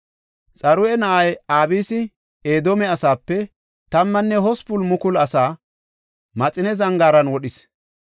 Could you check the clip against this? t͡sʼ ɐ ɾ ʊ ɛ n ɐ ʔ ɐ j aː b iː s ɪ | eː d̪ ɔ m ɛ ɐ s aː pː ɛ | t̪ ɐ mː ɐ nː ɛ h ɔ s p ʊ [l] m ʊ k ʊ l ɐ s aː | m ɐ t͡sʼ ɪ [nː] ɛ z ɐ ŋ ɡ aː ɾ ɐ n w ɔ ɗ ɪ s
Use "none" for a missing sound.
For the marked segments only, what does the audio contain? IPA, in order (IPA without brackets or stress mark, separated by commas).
l, n